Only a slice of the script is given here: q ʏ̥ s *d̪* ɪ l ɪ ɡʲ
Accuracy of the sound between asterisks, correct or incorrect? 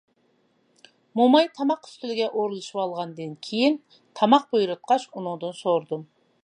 incorrect